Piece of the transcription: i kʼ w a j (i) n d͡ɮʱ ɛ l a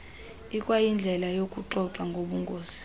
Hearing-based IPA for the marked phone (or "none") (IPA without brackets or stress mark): i